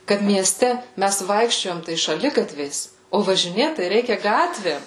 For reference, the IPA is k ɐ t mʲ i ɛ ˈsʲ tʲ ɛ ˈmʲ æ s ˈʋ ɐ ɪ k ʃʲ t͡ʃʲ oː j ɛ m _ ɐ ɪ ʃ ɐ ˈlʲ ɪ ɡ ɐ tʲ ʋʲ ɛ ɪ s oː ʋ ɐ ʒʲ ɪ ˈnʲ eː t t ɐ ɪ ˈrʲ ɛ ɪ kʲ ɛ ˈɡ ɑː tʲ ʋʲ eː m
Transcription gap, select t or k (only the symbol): t